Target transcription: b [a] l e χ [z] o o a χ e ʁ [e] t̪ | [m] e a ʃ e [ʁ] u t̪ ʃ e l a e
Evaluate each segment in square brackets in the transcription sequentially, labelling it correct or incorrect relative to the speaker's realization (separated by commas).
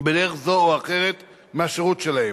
incorrect, correct, correct, correct, correct